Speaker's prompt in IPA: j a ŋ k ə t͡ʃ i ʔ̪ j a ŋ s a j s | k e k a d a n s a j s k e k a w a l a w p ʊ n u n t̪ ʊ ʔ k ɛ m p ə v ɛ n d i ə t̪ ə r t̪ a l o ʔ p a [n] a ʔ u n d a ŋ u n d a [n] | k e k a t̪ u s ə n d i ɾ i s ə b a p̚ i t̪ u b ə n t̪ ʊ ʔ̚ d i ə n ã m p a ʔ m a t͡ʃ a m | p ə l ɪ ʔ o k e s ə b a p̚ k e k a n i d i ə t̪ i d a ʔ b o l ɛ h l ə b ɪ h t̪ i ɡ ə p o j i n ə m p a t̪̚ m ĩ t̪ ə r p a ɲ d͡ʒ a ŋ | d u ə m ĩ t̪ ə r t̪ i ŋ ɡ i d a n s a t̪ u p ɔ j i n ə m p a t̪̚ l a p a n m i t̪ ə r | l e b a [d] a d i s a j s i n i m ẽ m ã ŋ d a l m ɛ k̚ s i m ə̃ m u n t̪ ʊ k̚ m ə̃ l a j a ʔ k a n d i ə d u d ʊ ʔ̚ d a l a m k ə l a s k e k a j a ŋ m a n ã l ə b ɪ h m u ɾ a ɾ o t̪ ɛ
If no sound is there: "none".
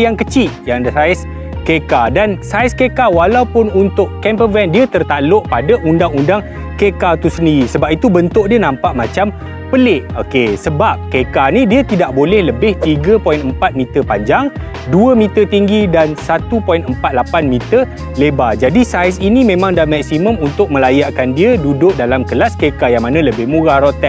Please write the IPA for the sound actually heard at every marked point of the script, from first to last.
d, ŋ, d͡ʒ

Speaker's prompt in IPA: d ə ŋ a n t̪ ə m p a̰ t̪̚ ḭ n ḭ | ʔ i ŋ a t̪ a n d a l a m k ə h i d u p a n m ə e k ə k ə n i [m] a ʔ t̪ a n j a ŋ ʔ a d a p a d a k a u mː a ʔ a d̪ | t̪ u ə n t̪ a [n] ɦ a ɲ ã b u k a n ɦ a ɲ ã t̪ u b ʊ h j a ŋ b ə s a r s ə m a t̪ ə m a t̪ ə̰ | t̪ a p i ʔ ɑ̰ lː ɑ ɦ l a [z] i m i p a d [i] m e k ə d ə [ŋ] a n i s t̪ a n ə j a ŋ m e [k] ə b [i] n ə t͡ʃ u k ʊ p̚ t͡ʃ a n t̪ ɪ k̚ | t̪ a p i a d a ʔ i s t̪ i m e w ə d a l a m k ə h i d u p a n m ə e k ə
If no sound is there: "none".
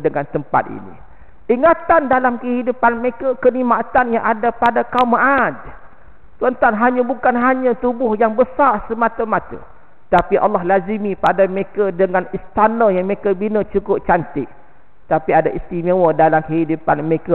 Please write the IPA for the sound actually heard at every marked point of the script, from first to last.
m, n, z, a, ŋ, k, i

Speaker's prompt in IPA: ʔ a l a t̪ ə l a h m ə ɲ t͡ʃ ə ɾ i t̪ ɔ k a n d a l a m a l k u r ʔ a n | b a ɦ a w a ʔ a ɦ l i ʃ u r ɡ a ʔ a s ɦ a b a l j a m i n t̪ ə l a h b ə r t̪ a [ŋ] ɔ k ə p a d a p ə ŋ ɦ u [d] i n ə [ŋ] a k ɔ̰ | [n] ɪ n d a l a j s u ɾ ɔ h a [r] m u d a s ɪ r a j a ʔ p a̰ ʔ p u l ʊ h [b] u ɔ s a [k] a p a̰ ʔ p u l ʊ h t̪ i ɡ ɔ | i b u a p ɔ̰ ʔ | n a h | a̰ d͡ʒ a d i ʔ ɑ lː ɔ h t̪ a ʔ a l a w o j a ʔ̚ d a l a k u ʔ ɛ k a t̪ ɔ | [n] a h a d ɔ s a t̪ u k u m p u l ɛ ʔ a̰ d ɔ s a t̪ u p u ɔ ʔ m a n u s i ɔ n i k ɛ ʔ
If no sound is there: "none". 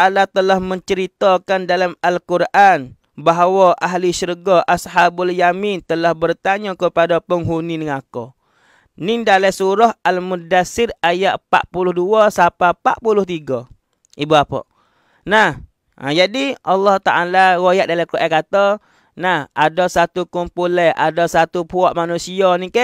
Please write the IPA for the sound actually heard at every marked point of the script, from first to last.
ɲ, n, ŋ, n, l, d, p, n

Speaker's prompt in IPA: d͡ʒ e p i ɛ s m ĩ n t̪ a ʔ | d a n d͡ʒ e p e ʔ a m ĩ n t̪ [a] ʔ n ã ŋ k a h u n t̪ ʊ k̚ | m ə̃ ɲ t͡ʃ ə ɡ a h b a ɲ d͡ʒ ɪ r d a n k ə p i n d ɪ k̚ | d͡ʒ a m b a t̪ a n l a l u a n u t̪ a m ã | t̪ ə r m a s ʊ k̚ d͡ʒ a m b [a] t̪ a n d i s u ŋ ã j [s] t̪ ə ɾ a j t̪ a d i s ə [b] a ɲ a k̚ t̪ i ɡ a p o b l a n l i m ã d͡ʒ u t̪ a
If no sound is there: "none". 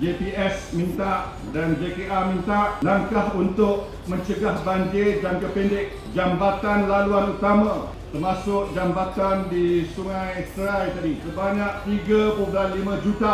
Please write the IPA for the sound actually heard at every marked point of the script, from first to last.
a, a, s, b

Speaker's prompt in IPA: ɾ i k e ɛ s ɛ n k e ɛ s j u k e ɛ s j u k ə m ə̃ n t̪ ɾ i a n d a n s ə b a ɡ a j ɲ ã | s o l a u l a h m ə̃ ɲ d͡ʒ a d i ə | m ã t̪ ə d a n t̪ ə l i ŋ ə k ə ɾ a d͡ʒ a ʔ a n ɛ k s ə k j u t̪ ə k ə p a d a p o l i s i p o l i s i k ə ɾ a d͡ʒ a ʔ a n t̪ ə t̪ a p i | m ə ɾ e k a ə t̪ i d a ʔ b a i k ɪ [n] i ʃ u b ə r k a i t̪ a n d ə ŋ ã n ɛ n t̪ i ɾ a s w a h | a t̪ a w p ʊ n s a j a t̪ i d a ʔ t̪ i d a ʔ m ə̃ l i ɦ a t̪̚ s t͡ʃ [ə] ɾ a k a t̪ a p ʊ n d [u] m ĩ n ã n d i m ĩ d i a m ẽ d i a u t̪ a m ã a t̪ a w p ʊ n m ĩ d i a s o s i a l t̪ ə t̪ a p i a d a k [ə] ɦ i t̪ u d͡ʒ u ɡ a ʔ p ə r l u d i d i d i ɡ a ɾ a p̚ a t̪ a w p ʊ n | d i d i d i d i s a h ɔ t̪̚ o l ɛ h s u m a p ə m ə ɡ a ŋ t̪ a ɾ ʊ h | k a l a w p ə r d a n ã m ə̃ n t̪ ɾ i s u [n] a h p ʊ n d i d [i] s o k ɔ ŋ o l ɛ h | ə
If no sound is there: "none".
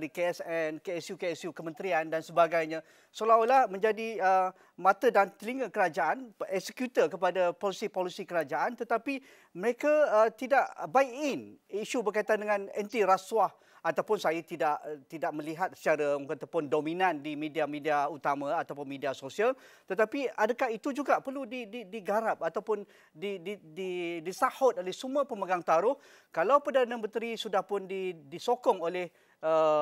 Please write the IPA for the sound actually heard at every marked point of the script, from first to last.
n, a, o, a, d, i

